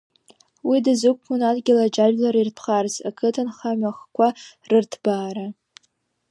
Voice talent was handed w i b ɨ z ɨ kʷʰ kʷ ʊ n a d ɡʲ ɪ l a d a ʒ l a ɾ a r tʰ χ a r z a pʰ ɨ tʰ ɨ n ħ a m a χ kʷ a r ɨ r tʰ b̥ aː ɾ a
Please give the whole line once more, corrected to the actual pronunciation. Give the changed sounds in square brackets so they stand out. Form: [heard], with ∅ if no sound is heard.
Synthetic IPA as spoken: w i [d] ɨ z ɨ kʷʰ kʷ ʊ n a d ɡʲ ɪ l a [d͡ʒ] a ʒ l a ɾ [i] r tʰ χ a r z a [kʰ] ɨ tʰ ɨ n [χ] a m a χ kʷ a r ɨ r tʰ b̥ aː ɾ a

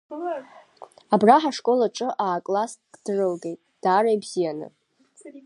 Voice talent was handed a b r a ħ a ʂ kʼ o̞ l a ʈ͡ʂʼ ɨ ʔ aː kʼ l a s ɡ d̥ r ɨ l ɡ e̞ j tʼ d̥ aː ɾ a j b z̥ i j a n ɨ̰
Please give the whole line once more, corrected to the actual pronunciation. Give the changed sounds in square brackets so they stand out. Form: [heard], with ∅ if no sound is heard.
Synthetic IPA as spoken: a b r a ħ a ʂ kʼ o̞ l a ʈ͡ʂʼ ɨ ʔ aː kʼ l a s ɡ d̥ r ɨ l ɡ e̞ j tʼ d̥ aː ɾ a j b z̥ i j a n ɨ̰

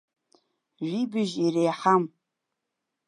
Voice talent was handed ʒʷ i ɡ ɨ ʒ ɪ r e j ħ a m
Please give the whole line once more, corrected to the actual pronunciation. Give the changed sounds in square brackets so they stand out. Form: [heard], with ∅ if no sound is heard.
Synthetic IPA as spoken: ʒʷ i [b] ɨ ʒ [i] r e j ħ a m

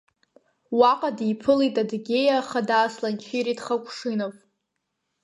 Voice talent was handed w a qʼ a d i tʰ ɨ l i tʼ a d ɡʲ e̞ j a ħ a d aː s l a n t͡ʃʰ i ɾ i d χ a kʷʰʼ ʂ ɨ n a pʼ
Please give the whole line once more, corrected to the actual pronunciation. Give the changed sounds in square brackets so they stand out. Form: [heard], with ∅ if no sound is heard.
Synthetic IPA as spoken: w a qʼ a d i [pʰ] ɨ l i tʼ a d ɡʲ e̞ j a [χ] a d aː s l a n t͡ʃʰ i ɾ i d χ a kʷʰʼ ʂ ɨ n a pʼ

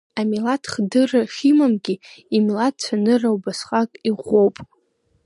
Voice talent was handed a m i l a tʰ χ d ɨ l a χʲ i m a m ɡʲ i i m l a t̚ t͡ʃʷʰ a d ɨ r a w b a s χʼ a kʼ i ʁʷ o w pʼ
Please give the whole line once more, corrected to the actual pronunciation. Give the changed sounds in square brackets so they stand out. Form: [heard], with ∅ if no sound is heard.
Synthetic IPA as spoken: a m i l a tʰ χ d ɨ [r] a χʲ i m a m ɡʲ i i m l a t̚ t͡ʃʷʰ a [n] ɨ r a w b a s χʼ a kʼ i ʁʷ o w pʼ

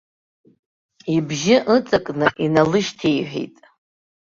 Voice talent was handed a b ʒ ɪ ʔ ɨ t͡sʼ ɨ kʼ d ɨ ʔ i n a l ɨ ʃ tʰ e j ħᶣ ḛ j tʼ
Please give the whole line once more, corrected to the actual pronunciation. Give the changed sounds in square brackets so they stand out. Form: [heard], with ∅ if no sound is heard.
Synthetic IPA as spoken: [i] b ʒ ɪ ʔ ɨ t͡sʼ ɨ kʼ [n] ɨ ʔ i n a l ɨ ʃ tʰ e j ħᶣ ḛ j tʼ

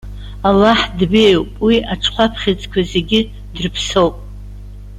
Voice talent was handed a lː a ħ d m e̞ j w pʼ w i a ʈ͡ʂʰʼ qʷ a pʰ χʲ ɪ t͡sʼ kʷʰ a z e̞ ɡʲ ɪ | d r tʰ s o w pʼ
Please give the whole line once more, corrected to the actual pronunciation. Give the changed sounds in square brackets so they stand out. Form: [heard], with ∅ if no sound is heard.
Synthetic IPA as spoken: a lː a ħ d [b] e̞ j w pʼ w i a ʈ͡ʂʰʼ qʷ a pʰ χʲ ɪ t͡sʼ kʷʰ a z e̞ ɡʲ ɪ | d r [pʰ] s o w pʼ

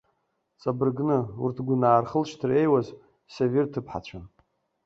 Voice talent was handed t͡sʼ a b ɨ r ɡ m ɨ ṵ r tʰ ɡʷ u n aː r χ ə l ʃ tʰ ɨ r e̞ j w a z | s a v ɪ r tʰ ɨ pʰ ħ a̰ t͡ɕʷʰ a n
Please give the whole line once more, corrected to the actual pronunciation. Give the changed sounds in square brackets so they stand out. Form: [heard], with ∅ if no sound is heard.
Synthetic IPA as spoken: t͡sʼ a b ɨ r ɡ [n] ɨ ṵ r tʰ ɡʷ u n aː r χ ə l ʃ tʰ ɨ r e̞ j w a z | s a v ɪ r tʰ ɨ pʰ ħ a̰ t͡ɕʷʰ a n

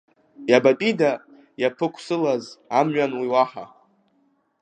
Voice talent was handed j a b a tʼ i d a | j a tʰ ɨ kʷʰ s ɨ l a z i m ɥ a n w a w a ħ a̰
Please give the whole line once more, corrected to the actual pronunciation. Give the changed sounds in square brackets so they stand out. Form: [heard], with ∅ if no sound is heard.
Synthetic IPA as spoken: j a b a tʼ i d a | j a [pʰ] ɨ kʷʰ s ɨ l a z [a] m ɥ a n w [i] w a ħ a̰

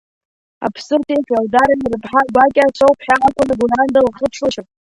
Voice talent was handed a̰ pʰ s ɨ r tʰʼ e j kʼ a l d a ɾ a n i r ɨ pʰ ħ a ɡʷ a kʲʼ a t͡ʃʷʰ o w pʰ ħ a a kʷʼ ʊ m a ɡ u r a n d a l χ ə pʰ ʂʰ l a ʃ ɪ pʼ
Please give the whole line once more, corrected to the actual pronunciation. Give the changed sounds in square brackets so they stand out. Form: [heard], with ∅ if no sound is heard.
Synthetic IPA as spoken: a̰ pʰ s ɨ r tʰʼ e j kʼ a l d a ɾ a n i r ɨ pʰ ħ a ɡʷ a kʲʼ a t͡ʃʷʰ o w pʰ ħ a a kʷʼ ʊ [n] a ɡ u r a n d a l χ ə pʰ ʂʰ l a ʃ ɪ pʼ

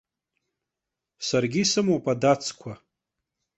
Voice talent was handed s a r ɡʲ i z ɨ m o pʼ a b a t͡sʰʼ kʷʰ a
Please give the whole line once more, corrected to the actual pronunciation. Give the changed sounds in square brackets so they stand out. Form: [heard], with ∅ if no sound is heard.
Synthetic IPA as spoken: s a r ɡʲ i [s] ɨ m o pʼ a [d] a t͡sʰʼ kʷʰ a

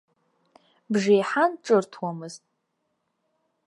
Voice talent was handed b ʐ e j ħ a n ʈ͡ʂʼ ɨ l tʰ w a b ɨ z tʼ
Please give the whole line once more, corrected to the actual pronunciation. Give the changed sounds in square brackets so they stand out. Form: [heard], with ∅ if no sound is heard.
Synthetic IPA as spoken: b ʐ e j ħ a n ʈ͡ʂʼ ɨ [r] tʰ w a [m] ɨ z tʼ

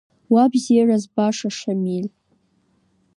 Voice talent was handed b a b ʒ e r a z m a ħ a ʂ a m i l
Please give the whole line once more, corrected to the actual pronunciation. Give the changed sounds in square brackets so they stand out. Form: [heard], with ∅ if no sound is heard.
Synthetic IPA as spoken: [w] a b [z] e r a z [b] a [ʂ] a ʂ a m i l

